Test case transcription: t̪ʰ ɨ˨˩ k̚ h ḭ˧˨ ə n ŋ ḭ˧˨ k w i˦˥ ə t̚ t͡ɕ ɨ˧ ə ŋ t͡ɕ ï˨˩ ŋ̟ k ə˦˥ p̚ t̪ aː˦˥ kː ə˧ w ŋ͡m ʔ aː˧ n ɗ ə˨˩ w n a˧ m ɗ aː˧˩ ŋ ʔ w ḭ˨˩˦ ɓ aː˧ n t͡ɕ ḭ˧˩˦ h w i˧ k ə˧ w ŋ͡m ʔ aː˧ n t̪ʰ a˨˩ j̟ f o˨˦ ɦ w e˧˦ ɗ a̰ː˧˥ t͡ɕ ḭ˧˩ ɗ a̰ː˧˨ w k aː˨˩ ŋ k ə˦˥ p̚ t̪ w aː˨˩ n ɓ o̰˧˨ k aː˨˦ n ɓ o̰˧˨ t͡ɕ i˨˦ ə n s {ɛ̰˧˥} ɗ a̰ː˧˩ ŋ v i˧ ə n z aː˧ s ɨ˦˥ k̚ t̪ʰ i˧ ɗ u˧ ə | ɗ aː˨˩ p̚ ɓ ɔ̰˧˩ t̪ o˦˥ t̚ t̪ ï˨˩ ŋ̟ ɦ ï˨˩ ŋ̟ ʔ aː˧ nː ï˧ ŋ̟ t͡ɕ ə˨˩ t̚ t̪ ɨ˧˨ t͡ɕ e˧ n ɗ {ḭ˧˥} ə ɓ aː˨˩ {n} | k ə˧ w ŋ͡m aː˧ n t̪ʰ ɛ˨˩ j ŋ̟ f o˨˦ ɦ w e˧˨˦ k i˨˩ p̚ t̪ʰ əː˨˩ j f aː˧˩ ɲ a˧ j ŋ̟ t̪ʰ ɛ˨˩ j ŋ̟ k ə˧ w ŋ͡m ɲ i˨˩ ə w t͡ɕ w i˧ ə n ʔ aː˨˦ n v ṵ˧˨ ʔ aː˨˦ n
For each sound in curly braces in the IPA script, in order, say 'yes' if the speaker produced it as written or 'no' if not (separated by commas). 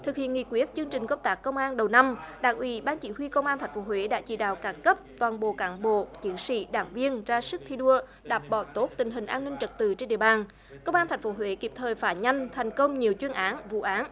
no, no, yes